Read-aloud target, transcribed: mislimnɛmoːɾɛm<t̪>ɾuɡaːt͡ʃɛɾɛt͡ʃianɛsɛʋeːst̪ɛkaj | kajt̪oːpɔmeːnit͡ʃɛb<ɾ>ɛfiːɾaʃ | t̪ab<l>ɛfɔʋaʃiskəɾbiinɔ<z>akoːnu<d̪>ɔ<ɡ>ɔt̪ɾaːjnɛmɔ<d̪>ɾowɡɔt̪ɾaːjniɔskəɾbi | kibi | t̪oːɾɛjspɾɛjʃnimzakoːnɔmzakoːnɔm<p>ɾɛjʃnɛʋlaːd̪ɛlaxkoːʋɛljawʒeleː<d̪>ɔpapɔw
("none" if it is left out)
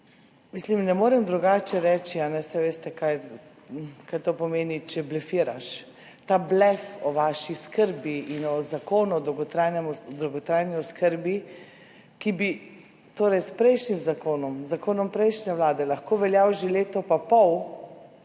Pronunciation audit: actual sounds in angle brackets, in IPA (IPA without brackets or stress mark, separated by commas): d̪, l, l, z, d̪, ɡ, d̪, p, t̪